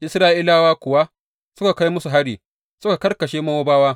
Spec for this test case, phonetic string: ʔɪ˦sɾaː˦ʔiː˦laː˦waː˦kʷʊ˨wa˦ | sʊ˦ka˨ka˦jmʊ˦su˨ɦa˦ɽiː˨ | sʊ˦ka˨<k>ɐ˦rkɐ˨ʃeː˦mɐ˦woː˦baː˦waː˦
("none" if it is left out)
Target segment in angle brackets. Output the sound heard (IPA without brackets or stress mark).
k